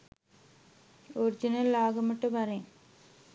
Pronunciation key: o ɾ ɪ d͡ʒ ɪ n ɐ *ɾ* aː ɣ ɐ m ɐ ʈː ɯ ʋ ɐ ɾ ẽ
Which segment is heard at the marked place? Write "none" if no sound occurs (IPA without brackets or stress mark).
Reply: l